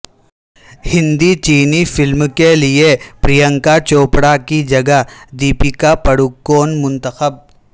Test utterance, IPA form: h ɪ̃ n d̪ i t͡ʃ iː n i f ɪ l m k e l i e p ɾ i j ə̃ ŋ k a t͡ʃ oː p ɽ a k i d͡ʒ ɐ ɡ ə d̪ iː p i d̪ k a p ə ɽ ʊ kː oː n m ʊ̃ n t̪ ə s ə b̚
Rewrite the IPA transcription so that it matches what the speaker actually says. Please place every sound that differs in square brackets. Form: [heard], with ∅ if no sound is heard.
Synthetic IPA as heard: h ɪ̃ n d̪ i t͡ʃ iː n i f ɪ l m k e l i e p ɾ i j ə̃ ŋ k a t͡ʃ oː p ɽ a k i d͡ʒ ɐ ɡ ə d̪ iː p i [∅] k a p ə ɽ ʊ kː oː n m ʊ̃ n t̪ ə [x] ə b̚